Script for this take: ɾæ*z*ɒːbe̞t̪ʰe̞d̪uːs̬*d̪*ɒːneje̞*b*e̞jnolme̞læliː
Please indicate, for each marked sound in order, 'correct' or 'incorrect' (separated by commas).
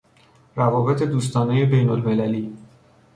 incorrect, incorrect, correct